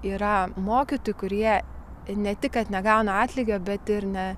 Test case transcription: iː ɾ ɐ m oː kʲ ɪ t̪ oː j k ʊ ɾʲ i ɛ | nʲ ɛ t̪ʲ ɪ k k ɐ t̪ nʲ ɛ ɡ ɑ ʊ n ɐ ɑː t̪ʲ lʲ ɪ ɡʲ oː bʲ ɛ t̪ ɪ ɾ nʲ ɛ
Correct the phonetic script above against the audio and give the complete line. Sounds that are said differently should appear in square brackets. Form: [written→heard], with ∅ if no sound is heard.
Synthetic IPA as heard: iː ɾ ɐ m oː kʲ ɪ t̪ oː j k ʊ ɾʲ i ɛ | nʲ ɛ t̪ʲ ɪ k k ɐ t̪ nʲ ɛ ɡ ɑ ʊ n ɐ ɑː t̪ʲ lʲ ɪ ɡʲ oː bʲ ɛ t̪ ɪ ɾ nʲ ɛ